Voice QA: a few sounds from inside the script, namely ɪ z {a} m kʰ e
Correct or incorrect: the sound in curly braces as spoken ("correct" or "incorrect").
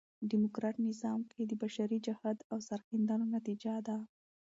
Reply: incorrect